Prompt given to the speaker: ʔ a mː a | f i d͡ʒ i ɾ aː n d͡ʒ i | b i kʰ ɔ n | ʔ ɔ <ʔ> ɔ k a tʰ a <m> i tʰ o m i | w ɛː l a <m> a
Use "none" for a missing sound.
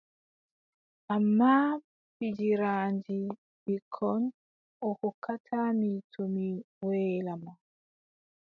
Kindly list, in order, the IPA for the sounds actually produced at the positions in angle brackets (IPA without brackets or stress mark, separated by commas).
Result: k, m, m